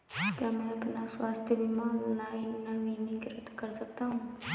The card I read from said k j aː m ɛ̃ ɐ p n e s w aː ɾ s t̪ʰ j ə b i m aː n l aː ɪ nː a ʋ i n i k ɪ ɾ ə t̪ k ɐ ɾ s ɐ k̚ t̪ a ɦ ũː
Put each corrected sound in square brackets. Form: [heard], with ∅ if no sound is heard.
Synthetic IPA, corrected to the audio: k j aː m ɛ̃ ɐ p n [a] s w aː [∅] s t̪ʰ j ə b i m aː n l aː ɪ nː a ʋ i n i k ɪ ɾ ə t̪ k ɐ ɾ s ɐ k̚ t̪ a ɦ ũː

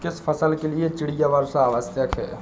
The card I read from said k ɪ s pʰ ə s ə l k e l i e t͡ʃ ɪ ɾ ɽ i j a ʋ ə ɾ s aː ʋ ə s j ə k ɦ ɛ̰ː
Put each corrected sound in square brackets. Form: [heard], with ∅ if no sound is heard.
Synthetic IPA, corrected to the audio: k ɪ s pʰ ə s ə l k e l i e t͡ʃ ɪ [∅] ɽ i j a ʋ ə ɾ s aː ʋ ə s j ə k ɦ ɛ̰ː

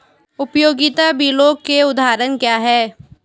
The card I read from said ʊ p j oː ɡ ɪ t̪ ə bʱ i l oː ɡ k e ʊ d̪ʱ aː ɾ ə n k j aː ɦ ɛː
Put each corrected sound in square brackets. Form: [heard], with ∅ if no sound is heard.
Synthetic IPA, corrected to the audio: ʊ p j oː ɡ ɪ t̪ [a] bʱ i l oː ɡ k e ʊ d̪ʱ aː ɾ ə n k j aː ɦ ɛː

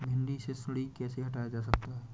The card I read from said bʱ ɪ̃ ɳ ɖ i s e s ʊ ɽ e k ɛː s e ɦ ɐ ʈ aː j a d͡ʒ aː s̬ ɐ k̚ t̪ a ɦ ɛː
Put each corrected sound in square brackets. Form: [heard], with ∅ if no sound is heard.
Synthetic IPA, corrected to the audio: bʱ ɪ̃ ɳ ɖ i s e s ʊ ɽ [i] k ɛː s e ɦ ɐ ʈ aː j a d͡ʒ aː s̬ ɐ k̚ t̪ a ɦ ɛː

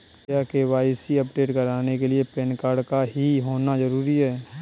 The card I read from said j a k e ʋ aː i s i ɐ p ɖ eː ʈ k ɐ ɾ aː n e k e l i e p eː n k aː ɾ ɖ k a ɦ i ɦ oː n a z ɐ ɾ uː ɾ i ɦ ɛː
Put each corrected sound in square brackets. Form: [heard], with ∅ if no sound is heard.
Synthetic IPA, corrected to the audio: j a k e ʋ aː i s i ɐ p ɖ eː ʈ k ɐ ɾ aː n e k e l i e p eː n k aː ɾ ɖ k a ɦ i ɦ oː n a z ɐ ɾ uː ɾ i ɦ ɛː

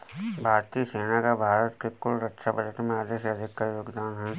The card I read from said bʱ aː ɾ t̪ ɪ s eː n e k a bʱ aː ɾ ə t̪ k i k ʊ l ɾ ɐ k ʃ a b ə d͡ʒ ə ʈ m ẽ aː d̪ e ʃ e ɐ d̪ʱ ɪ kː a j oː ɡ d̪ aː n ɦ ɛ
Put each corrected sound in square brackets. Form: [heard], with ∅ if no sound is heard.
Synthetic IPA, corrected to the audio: bʱ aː ɾ t̪ [i] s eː n [a] k a bʱ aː ɾ ə t̪ k [e] k ʊ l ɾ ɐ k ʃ a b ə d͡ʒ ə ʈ m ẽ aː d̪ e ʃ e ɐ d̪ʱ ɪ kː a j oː ɡ d̪ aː n ɦ ɛ

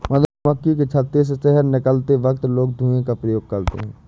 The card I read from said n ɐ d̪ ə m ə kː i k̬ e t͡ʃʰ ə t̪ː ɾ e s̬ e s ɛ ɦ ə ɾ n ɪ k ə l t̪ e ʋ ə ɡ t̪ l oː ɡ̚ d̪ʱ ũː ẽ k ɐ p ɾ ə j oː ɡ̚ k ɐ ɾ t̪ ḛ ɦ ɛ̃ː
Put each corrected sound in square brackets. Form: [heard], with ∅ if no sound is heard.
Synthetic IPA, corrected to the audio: [m] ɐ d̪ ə m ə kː i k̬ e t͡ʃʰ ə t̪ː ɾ e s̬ e s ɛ ɦ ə ɾ n ɪ k ə l t̪ e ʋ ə [k] t̪ l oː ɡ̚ d̪ʱ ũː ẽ k [a] p ɾ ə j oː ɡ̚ k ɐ ɾ t̪ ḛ ɦ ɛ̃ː

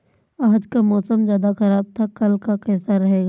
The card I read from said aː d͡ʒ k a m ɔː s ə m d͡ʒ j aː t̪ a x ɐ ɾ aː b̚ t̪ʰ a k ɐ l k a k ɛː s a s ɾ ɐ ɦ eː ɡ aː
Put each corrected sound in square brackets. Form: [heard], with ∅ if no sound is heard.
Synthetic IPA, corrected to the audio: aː d͡ʒ k a m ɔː s ə m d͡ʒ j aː [d̪] a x ɐ ɾ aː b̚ t̪ʰ a k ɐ l k a k ɛː s a [∅] ɾ ɐ ɦ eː ɡ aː

